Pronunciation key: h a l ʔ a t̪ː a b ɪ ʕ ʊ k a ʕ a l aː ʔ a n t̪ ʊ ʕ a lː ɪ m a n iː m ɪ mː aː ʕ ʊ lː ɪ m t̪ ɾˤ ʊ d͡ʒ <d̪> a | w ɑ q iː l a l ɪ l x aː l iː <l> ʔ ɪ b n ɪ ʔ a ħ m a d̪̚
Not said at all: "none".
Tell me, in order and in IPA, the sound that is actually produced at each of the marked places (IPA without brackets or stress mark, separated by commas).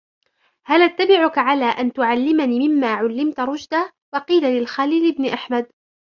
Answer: d̪, l